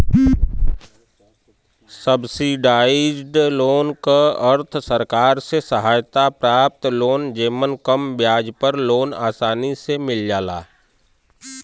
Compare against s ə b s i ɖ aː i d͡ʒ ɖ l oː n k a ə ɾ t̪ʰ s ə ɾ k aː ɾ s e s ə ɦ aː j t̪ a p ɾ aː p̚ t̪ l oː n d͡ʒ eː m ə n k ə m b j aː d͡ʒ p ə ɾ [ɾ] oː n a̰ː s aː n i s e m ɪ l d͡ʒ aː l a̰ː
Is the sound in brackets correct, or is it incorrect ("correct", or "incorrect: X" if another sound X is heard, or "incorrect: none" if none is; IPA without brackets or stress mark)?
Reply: incorrect: l